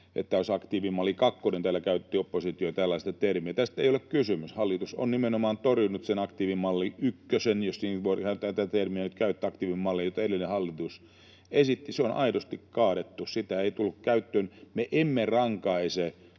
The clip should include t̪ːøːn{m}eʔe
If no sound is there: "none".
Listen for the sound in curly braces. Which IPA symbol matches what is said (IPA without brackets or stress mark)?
m